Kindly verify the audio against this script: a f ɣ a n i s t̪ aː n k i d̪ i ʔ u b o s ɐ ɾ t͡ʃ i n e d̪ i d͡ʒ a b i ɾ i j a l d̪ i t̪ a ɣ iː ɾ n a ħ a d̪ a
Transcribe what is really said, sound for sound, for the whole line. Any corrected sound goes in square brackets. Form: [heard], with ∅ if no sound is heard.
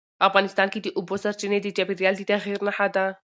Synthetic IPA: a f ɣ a n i s t̪ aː n k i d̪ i ʔ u b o s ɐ ɾ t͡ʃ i n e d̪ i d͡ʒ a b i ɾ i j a l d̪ i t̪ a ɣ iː ɾ n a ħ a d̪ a